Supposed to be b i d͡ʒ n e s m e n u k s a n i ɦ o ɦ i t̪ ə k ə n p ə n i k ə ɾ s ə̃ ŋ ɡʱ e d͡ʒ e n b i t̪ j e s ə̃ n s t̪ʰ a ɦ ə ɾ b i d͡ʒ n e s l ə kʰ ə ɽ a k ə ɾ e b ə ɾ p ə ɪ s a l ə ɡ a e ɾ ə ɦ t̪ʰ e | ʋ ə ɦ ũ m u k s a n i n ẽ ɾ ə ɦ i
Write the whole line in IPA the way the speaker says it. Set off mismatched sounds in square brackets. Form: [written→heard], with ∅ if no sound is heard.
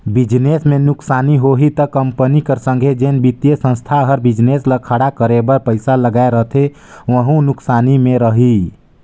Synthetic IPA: b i d͡ʒ n e s m e n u k s a n i ɦ o ɦ i t̪ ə k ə [n→m] p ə n i k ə ɾ s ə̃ ŋ ɡʱ e d͡ʒ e n b i t̪ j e s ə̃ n s t̪ʰ a ɦ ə ɾ b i d͡ʒ n e s l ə kʰ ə ɽ a k ə ɾ e b ə ɾ p ə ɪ s a l ə ɡ a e ɾ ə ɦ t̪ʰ e | ʋ ə ɦ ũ [m→n] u k s a n i [n→m] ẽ ɾ ə ɦ i

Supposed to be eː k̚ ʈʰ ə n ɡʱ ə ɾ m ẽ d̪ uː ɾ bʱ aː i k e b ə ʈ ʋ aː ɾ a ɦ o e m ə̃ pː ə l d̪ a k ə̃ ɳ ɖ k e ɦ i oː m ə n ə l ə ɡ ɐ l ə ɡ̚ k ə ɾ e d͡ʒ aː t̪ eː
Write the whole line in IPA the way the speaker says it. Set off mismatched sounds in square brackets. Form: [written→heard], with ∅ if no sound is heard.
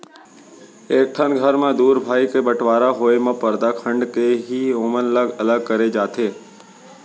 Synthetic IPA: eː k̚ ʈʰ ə n ɡʱ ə ɾ m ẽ d̪ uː ɾ bʱ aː i k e b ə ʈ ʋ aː ɾ a ɦ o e m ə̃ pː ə [l→ɾ] d̪ a [k→kʰ] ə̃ ɳ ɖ k e ɦ i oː m ə n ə l ə ɡ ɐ l ə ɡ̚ k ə ɾ e d͡ʒ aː t̪ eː

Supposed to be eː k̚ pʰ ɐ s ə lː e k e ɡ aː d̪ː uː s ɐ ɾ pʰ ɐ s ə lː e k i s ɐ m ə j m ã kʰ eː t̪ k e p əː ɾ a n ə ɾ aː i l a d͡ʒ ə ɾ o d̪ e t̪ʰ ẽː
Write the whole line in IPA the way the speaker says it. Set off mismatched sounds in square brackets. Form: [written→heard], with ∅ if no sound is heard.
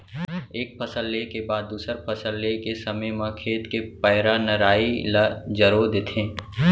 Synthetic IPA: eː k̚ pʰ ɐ s ə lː e k e [ɡ→b] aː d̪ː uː s [ɐ→ə] ɾ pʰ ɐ s ə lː e k [i→e] s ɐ m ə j m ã kʰ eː t̪ k e p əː ɾ a n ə ɾ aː i l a d͡ʒ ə ɾ o d̪ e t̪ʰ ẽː

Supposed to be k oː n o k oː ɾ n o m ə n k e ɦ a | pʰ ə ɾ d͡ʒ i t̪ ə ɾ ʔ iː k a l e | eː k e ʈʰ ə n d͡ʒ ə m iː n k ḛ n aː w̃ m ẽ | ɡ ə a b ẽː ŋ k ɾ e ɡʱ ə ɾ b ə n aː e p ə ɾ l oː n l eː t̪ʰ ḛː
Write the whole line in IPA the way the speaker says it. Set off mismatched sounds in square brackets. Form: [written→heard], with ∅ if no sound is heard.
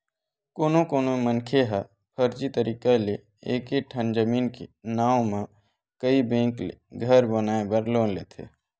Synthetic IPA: k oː n o k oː [ɾ→∅] n o m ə n [k→kʰ] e ɦ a | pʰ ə ɾ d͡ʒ i t̪ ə ɾ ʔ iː k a l e | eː k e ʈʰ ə n d͡ʒ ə m iː n k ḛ n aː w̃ m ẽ | [ɡ→k] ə [a→i] b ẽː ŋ k [ɾ→l] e ɡʱ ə ɾ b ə n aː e [p→b] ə ɾ l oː n l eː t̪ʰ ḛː

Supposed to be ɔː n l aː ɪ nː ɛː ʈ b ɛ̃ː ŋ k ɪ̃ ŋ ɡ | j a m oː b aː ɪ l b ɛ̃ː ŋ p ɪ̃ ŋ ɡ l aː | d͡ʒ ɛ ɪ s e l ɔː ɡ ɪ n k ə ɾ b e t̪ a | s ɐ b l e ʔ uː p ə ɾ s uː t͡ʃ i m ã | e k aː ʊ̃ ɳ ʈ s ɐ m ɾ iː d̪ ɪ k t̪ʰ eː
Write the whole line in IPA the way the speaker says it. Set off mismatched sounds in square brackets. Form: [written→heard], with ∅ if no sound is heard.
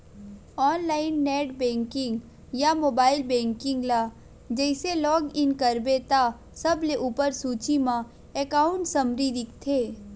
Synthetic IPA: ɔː n l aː ɪ nː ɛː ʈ b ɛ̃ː ŋ k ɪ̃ ŋ ɡ | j a m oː b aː ɪ l b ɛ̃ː ŋ [p→k] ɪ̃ ŋ ɡ l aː | d͡ʒ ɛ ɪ s e l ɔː ɡ ɪ n k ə ɾ b e t̪ a | s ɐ b l e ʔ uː p ə ɾ s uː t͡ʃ i m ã | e k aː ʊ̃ ɳ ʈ s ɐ m ɾ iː d̪ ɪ k t̪ʰ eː

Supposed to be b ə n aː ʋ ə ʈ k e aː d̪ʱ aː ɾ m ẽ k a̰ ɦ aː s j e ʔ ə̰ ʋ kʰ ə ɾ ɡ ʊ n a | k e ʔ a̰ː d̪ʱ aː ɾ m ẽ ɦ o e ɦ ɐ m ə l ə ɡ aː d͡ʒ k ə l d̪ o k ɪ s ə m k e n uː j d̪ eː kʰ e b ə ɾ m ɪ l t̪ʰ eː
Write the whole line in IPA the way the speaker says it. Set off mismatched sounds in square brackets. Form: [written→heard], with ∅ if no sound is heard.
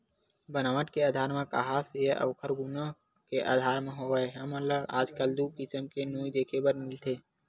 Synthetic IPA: b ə n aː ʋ ə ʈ k e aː d̪ʱ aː ɾ m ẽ k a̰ ɦ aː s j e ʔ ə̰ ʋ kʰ ə ɾ ɡ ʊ n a | k e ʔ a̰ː d̪ʱ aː ɾ m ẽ ɦ o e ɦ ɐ m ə l ə ɡ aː d͡ʒ k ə l d̪ [o→u] k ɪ s ə m k e n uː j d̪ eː kʰ e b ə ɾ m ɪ l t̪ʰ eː

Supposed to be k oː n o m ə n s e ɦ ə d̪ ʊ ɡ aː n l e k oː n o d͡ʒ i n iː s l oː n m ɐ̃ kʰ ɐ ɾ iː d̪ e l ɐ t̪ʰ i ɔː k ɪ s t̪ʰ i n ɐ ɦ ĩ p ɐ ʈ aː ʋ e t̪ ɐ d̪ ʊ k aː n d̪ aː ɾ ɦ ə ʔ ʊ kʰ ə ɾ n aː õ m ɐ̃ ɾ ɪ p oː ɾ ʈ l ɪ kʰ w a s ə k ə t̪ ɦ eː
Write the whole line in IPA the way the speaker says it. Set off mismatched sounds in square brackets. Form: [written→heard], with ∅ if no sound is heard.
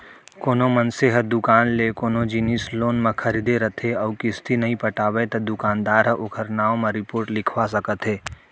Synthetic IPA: k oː n o m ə n s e ɦ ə d̪ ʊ [ɡ→k] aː n l e k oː n o d͡ʒ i n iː s l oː n m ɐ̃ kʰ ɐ ɾ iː d̪ e [l→ɾ] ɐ t̪ʰ [i→e] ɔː k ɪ s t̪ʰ i n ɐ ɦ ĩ p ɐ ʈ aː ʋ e t̪ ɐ d̪ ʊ k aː n d̪ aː ɾ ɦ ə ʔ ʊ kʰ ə ɾ n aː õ m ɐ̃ ɾ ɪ p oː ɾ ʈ l ɪ kʰ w a s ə k ə t̪ ɦ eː

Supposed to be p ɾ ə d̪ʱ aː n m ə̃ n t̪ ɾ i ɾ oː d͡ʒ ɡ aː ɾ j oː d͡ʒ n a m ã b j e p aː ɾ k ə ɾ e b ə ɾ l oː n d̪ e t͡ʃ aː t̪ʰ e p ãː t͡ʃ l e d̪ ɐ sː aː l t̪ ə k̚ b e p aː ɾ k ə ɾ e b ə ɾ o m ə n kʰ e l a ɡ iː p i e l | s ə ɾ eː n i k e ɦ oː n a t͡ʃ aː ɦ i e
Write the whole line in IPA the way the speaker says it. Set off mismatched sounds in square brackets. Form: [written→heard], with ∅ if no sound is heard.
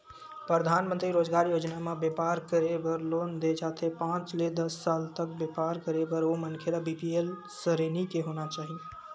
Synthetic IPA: p ɾ ə d̪ʱ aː n m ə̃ n t̪ ɾ i ɾ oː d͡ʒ ɡ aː ɾ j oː d͡ʒ n a m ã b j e p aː ɾ k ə ɾ e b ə ɾ l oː n d̪ e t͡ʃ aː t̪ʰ e p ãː t͡ʃ l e d̪ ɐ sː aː l t̪ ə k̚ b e p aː ɾ k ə ɾ e b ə ɾ o m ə n kʰ e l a [ɡ→b] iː p i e l | s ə ɾ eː n i k e ɦ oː n a t͡ʃ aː ɦ i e

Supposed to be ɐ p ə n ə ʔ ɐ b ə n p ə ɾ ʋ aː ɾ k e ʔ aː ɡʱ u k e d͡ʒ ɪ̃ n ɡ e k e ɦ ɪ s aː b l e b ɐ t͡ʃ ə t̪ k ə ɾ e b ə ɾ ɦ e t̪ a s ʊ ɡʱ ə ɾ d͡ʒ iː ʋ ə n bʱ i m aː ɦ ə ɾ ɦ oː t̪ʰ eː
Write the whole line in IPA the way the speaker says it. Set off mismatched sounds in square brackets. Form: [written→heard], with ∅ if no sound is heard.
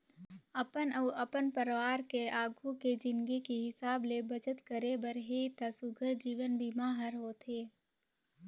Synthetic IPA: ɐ p ə n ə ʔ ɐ [b→p] ə n p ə ɾ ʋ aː ɾ k e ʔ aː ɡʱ u k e d͡ʒ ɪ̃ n ɡ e k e ɦ ɪ s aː b l e b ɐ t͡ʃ ə t̪ k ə ɾ e b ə ɾ ɦ e t̪ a s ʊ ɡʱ ə ɾ d͡ʒ iː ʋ ə n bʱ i m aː ɦ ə ɾ ɦ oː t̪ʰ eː

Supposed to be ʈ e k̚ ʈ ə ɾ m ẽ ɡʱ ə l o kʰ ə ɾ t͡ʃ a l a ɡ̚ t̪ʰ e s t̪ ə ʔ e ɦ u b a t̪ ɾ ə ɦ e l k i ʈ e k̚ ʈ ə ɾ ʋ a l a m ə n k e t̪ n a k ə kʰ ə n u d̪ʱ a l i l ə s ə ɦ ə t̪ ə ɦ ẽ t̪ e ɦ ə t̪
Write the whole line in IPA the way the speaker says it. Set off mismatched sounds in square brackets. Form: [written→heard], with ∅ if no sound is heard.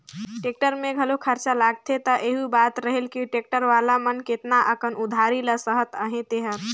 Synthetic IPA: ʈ e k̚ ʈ ə ɾ m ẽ ɡʱ ə l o kʰ ə ɾ t͡ʃ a l a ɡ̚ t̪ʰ e [s→∅] t̪ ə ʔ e ɦ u b a t̪ ɾ ə ɦ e l k i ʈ e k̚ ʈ ə ɾ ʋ a l a m ə n k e t̪ n a [k→ʔ] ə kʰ ə n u d̪ʱ a [l→ɾ] i l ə s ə ɦ ə t̪ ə ɦ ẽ t̪ e ɦ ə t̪

